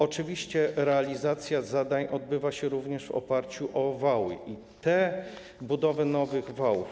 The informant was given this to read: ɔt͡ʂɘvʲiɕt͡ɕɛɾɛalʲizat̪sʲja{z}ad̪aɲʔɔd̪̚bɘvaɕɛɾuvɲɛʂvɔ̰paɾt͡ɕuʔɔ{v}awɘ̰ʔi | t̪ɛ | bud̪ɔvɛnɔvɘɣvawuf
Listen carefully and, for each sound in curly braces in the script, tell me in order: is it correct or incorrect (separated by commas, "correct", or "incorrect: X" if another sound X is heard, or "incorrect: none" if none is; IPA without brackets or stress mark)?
correct, correct